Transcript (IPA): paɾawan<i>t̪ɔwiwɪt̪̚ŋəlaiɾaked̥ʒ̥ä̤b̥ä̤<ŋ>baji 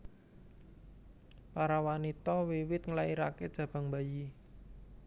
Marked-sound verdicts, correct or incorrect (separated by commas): correct, correct